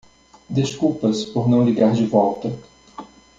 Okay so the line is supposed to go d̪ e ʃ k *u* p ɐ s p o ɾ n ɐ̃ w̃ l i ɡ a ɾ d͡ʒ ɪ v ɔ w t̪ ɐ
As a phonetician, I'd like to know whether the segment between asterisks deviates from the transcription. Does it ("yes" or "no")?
no